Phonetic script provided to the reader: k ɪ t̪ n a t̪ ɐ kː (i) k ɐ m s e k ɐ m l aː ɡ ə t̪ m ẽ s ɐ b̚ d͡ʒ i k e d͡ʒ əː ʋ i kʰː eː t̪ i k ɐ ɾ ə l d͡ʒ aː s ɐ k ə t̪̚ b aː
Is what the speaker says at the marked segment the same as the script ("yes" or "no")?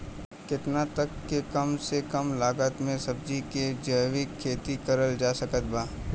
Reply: no